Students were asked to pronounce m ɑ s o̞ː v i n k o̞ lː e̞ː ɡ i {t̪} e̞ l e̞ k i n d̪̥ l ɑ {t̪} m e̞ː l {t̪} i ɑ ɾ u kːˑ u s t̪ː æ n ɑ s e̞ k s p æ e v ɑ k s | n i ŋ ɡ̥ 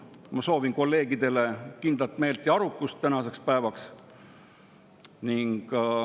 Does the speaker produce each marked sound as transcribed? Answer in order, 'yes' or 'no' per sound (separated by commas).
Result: no, yes, yes